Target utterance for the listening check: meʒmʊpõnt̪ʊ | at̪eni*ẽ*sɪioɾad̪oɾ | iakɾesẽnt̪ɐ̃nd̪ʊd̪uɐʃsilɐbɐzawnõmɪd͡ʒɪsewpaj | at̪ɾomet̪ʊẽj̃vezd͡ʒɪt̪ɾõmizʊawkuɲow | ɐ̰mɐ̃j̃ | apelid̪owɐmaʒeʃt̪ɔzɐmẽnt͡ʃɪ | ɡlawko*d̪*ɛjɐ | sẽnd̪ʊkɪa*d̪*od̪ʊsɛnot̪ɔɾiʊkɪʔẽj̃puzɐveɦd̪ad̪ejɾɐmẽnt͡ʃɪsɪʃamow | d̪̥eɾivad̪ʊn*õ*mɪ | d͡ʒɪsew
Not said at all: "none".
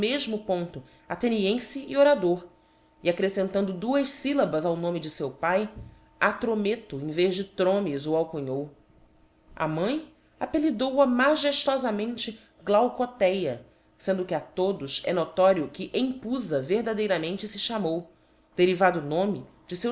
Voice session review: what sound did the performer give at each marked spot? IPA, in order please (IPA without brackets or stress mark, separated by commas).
ẽ, t̪, t̪, õ